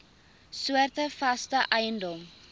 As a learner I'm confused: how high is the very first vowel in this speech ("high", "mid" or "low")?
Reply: high